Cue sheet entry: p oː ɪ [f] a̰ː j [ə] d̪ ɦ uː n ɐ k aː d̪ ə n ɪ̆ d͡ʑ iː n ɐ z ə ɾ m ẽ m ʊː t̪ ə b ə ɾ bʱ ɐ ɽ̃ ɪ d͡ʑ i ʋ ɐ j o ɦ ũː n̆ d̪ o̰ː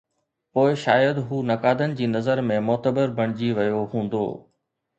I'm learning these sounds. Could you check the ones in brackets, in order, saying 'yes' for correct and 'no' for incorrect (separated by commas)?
no, yes